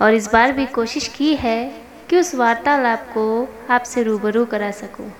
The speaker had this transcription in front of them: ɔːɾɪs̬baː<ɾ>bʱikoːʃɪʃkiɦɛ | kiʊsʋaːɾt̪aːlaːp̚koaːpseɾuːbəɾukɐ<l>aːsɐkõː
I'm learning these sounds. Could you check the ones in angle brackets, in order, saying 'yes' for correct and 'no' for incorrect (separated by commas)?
yes, no